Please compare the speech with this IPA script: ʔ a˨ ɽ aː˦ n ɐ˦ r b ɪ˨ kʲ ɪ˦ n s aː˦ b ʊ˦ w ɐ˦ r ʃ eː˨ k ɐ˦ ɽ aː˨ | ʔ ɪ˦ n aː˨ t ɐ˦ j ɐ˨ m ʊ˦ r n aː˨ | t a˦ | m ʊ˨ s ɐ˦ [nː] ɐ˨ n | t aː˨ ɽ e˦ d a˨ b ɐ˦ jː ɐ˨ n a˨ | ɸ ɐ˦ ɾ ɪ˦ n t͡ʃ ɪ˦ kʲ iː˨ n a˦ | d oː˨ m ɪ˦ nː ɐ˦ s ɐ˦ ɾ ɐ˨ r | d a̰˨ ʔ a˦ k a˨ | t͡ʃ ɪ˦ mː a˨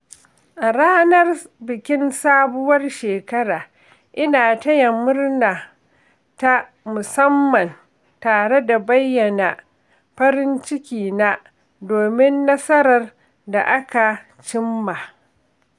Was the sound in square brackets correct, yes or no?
no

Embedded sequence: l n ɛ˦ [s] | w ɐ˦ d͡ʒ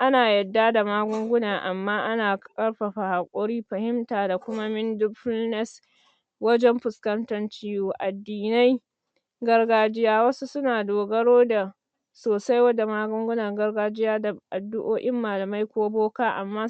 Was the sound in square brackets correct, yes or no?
yes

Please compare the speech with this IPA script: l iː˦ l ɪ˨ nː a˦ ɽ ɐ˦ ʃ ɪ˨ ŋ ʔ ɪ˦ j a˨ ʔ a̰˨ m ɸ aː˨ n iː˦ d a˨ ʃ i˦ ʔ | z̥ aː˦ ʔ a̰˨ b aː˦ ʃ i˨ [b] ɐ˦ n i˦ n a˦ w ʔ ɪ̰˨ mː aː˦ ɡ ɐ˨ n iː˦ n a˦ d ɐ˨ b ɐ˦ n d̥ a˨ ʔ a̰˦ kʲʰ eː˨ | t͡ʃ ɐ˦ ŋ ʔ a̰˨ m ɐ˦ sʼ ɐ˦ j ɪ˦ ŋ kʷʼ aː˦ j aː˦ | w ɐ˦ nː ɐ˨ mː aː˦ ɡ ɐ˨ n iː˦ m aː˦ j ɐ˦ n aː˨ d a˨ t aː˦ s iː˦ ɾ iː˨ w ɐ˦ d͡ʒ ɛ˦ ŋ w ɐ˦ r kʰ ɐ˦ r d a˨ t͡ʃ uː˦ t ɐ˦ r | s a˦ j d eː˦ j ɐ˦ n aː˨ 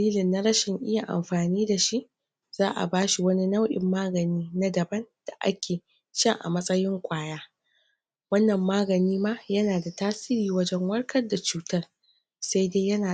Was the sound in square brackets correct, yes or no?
no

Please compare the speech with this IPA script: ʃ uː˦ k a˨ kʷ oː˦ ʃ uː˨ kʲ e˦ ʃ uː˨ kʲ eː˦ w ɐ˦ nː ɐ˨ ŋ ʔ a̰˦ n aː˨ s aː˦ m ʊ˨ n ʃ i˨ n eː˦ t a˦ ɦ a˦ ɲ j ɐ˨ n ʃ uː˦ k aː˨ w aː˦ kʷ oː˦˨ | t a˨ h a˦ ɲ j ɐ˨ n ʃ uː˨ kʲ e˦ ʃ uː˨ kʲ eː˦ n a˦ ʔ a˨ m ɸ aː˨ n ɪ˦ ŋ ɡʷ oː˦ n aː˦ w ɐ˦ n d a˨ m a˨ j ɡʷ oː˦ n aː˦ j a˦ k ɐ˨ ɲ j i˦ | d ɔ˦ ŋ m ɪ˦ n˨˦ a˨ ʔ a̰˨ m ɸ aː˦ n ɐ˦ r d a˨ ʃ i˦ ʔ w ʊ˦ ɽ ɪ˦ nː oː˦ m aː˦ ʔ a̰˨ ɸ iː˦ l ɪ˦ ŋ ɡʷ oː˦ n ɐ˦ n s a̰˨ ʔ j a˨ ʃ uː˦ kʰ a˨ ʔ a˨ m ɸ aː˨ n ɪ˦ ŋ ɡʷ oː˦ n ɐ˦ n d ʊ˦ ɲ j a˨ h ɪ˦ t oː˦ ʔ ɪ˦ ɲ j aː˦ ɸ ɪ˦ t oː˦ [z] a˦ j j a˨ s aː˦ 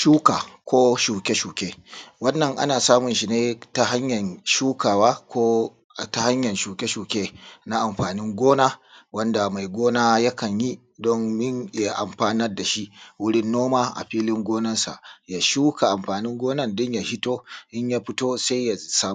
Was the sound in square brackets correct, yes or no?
no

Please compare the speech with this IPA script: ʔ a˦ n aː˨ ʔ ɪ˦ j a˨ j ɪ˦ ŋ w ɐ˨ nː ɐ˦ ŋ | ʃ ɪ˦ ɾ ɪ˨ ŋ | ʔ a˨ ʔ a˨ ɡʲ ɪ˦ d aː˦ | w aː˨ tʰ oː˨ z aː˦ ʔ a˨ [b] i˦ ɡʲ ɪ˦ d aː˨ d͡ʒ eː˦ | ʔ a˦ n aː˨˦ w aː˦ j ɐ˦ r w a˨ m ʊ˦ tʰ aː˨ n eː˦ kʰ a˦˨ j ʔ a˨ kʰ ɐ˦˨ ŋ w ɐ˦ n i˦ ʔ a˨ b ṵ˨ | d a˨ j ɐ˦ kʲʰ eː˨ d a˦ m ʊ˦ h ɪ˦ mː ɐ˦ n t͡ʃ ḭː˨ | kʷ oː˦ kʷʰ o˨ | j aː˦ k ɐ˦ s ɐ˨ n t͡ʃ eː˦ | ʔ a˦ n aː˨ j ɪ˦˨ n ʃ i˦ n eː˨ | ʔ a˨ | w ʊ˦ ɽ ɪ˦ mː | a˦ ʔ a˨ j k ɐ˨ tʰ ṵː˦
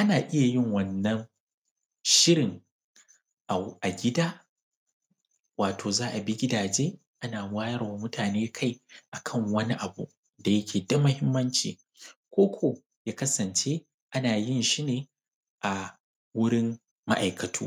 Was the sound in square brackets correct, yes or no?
yes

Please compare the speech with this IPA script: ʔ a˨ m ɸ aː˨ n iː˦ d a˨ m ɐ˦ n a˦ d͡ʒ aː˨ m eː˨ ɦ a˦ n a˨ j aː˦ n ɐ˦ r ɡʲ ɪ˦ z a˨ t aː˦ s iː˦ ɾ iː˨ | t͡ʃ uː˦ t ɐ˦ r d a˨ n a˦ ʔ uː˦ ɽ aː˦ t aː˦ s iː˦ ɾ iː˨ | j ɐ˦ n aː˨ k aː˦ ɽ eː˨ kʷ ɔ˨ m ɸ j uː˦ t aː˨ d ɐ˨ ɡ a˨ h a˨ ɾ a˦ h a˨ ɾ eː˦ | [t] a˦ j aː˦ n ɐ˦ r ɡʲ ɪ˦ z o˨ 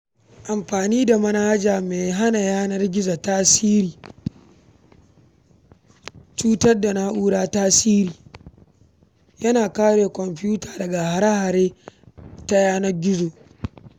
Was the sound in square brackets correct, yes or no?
yes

